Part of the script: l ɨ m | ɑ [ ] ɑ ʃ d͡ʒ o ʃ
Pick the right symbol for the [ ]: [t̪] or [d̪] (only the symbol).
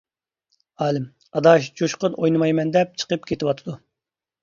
d̪